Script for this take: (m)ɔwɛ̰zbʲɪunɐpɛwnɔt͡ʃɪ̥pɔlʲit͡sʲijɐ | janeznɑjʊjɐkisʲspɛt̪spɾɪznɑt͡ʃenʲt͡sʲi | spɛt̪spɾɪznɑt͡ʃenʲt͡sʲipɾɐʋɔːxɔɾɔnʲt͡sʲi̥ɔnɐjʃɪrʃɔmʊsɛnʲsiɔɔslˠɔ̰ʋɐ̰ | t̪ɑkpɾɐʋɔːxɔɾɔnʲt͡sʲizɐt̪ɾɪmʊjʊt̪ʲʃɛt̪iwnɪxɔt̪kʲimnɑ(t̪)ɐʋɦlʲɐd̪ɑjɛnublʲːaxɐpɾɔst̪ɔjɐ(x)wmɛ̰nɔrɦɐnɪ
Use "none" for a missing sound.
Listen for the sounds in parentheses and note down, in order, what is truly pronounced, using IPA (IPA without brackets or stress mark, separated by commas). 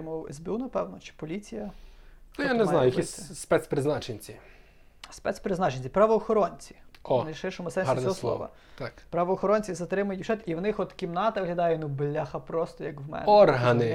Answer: m, t̪, k